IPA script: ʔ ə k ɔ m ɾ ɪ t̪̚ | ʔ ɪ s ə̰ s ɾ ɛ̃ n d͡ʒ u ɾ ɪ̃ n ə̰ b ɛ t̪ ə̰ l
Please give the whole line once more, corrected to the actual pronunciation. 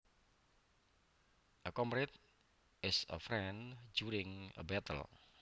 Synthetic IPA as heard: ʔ ə k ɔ m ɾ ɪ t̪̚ | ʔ ɪ s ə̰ f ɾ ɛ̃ n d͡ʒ u ɾ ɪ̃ ŋ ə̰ b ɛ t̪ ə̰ l